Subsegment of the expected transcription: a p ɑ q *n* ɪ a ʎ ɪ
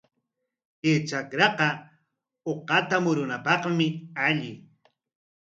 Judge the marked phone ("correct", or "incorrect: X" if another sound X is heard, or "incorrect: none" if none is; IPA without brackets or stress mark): incorrect: m